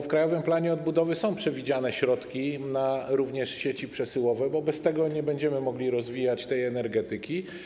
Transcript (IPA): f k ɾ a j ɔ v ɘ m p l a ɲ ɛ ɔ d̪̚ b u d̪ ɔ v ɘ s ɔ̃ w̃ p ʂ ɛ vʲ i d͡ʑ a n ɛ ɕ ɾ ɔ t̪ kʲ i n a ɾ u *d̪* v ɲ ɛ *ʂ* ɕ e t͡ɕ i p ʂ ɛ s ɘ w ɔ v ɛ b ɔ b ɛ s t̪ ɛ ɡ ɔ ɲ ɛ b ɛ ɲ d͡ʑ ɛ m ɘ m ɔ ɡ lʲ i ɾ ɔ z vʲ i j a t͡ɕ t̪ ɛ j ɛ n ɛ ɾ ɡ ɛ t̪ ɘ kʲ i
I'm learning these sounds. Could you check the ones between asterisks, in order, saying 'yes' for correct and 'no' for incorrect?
no, yes

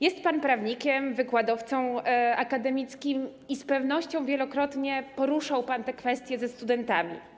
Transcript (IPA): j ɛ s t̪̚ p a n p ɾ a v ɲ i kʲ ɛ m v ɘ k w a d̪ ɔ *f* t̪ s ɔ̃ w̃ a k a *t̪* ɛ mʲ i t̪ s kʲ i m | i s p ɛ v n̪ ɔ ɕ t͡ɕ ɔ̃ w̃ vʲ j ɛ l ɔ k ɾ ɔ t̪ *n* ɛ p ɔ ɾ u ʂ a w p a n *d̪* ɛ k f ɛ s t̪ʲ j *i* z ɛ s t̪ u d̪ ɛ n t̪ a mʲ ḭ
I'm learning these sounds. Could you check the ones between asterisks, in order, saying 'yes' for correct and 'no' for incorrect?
yes, no, no, no, no

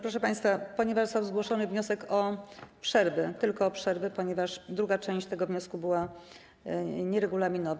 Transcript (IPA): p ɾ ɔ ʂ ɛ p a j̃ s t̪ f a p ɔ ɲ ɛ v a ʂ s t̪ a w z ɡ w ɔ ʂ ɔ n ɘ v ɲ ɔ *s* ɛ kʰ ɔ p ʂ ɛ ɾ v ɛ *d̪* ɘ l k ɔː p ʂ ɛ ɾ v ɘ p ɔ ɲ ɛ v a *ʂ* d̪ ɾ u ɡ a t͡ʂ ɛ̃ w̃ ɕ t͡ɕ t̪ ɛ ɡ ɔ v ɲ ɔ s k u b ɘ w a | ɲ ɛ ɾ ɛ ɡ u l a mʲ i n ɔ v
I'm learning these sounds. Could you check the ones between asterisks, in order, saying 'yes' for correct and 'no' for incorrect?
yes, no, yes

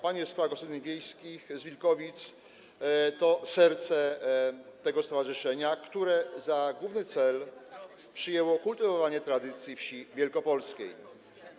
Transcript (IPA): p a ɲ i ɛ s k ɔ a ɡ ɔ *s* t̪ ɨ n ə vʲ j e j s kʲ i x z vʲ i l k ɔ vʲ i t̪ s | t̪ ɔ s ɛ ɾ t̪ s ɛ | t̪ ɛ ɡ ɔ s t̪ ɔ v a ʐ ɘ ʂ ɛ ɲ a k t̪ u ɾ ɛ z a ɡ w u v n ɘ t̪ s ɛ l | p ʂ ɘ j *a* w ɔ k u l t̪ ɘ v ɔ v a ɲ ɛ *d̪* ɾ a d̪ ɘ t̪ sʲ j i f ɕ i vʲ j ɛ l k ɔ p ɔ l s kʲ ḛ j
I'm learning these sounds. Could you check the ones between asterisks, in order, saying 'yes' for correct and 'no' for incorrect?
yes, no, no

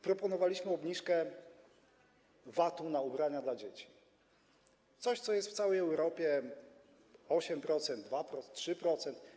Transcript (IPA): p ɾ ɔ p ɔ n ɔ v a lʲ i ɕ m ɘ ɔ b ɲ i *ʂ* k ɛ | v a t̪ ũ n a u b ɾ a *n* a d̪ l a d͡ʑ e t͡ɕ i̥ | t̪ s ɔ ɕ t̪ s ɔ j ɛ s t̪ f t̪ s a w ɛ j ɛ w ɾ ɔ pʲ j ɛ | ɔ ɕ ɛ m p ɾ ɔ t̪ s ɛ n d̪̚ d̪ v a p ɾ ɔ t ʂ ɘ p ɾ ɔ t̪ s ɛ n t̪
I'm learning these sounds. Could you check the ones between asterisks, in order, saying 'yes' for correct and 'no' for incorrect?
yes, no

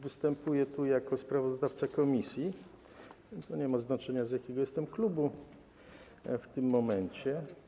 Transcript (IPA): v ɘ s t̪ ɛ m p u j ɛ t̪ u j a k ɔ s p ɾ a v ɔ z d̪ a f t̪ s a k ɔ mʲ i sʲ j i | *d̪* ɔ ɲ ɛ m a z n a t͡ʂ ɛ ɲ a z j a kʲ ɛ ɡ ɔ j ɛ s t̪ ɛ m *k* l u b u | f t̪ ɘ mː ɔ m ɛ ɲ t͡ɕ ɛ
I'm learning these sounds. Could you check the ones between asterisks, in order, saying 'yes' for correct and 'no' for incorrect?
no, yes

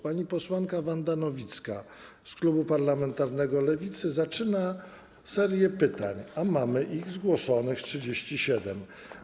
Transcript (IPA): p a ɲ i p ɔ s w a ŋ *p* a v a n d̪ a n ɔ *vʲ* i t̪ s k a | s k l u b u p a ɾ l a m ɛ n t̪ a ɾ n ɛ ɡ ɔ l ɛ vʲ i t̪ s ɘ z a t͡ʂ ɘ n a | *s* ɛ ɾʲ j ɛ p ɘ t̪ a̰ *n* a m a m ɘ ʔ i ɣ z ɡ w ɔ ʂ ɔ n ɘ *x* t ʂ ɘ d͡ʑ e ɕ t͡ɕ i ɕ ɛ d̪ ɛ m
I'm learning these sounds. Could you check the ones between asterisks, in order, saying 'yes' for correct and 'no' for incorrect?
no, yes, yes, no, yes

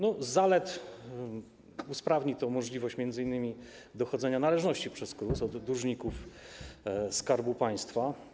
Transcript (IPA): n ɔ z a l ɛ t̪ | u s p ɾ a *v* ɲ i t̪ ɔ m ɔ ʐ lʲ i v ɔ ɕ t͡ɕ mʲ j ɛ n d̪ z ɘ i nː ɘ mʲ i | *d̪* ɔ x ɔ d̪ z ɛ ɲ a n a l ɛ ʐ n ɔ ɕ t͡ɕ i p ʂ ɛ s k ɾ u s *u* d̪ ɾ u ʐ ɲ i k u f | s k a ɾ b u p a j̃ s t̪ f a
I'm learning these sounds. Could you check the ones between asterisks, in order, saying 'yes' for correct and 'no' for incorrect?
yes, yes, no

